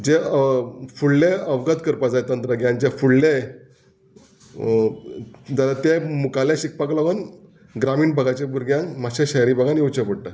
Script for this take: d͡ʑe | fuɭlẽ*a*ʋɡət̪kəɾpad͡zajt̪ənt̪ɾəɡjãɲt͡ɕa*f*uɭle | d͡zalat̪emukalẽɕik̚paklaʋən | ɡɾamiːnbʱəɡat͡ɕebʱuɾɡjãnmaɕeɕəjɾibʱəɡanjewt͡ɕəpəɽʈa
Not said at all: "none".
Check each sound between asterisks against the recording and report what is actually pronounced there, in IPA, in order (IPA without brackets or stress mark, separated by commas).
ə, f